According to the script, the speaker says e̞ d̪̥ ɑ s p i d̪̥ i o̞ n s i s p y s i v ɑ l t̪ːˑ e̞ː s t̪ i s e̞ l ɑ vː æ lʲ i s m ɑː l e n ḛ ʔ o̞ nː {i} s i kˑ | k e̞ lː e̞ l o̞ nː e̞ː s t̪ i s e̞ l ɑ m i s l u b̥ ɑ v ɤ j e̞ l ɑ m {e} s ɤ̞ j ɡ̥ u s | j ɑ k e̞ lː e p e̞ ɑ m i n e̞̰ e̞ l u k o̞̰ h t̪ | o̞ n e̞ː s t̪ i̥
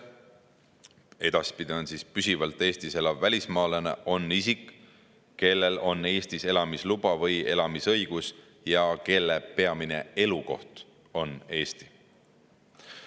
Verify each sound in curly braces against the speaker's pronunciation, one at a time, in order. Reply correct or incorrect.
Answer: correct, incorrect: i

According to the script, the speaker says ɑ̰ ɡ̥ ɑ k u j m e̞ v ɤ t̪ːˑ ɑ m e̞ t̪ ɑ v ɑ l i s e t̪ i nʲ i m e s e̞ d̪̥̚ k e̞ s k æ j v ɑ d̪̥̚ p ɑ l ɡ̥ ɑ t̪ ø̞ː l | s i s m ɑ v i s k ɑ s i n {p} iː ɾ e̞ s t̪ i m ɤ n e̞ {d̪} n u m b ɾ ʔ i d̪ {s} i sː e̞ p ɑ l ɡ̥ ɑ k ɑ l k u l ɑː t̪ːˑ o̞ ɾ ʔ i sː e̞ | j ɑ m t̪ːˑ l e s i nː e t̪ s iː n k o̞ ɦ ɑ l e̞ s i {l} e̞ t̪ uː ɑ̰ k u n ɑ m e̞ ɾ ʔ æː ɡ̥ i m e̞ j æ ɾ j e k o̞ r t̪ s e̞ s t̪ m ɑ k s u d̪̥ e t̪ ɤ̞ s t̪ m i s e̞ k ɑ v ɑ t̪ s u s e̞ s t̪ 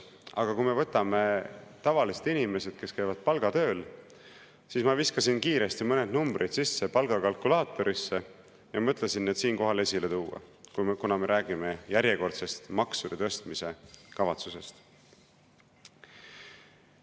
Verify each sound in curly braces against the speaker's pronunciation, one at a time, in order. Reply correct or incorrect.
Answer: incorrect: k, correct, correct, correct

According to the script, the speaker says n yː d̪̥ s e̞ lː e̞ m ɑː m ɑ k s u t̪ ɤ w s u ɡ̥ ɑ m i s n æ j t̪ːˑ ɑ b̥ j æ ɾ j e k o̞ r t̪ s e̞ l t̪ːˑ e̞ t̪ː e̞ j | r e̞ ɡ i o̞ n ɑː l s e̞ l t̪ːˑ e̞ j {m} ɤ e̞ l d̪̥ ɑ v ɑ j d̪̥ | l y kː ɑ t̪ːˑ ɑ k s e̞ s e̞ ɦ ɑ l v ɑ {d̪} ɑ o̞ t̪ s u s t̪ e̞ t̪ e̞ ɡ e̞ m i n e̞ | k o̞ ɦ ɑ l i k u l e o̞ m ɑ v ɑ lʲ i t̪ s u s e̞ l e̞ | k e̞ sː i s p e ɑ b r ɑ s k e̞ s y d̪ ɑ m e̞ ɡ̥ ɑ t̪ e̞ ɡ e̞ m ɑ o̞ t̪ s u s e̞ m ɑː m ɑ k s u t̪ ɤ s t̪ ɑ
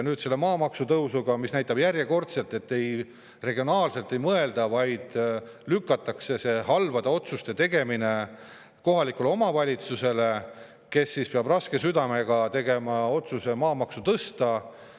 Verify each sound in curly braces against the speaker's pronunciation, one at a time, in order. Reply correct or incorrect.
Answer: correct, correct

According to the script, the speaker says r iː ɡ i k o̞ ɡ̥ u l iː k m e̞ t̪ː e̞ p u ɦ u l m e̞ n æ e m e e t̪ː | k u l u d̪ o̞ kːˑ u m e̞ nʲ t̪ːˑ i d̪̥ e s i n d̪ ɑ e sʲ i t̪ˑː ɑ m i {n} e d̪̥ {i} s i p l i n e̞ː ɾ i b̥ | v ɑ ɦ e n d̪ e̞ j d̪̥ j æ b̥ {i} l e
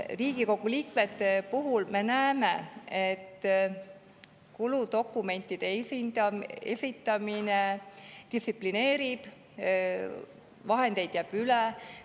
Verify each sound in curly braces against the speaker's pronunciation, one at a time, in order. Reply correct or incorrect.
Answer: correct, correct, incorrect: y

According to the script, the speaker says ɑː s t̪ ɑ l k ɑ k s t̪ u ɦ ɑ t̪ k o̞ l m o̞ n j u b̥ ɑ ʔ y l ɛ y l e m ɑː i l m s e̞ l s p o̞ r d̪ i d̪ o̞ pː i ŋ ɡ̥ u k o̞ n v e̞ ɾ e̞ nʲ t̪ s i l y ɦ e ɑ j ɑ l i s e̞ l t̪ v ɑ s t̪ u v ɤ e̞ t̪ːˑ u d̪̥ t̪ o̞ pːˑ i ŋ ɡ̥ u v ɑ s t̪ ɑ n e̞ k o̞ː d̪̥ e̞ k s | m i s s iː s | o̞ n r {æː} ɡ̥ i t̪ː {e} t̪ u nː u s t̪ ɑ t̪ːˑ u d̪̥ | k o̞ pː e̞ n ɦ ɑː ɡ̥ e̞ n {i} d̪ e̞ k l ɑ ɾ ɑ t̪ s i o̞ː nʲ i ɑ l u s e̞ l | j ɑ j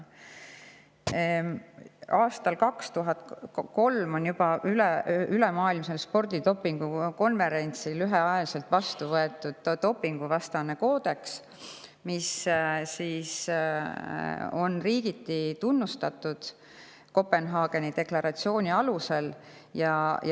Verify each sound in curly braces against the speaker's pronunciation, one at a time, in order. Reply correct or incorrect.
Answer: incorrect: iː, incorrect: i, correct

